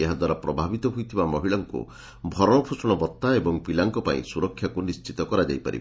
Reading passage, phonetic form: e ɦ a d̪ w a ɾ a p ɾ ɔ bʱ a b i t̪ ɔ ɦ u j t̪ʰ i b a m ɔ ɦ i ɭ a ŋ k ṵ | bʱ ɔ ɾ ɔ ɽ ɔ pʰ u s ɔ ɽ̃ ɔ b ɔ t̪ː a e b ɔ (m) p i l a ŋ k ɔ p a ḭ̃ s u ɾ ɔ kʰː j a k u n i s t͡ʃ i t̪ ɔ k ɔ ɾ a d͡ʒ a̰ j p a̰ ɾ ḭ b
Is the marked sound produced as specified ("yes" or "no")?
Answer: no